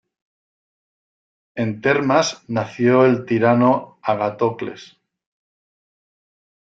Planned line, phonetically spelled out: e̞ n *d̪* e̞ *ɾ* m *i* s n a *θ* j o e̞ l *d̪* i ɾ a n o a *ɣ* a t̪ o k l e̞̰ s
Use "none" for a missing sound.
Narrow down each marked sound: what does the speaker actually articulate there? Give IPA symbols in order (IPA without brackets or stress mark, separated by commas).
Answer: t̪, ɾ, a, θ, t̪, ɣ